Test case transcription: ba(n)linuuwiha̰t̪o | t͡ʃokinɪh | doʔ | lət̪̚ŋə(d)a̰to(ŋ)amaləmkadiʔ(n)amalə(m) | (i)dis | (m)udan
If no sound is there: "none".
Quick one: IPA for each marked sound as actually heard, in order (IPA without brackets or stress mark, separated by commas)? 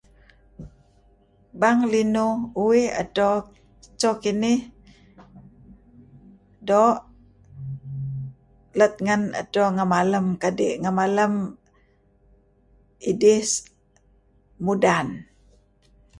ŋ, n, ŋ, ŋ, m, i, m